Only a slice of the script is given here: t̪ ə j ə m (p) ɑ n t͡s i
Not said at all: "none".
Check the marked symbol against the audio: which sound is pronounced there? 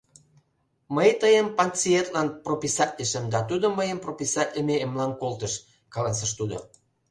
p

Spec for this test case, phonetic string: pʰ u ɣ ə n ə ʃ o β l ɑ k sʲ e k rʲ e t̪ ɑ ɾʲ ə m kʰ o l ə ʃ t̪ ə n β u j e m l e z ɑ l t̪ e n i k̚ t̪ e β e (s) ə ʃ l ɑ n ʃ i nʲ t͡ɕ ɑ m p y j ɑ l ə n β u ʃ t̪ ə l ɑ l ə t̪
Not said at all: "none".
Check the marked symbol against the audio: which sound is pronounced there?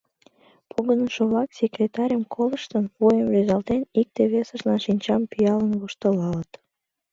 s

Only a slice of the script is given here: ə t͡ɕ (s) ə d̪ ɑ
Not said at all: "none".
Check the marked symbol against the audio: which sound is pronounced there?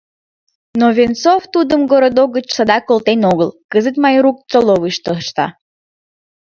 s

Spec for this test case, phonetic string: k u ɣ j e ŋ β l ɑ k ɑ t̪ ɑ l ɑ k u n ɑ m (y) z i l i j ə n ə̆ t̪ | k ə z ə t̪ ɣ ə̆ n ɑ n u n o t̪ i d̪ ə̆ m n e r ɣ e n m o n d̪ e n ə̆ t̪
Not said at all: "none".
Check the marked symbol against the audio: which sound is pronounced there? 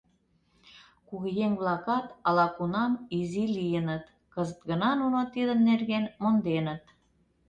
i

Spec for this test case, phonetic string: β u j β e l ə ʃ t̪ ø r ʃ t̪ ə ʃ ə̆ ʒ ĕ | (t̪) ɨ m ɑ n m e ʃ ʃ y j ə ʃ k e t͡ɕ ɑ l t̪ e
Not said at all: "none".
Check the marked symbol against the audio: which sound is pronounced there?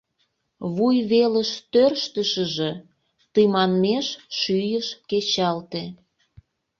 t̪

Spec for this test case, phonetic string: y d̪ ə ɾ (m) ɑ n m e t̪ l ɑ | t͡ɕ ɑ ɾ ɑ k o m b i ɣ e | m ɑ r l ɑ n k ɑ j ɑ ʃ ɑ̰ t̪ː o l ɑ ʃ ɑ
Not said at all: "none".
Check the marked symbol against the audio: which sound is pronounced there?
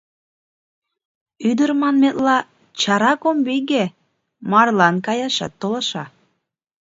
m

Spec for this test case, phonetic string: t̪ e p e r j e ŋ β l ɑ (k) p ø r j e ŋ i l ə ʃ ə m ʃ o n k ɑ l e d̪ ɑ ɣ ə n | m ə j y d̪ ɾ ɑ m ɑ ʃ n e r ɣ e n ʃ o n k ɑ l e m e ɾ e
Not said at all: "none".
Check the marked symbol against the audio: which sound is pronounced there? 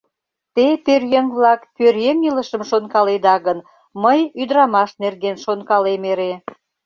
k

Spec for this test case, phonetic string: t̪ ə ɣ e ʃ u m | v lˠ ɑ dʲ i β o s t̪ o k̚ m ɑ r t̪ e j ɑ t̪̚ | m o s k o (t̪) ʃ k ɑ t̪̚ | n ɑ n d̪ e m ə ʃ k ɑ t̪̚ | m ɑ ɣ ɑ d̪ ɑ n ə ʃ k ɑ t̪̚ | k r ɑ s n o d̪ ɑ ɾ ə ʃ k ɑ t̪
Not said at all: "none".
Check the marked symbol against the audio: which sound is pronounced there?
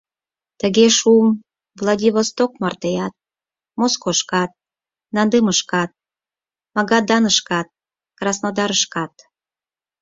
none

